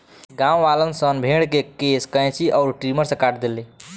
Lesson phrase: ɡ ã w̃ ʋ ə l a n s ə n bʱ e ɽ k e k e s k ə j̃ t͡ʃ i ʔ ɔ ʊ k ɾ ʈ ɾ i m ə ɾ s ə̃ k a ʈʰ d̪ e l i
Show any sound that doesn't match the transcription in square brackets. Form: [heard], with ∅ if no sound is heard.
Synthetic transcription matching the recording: ɡ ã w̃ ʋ [a] l [ə] n s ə n bʱ e ɽ k e k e s k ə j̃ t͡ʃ i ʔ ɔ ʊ [∅] ɾ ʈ ɾ i m ə ɾ s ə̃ k a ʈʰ d̪ e l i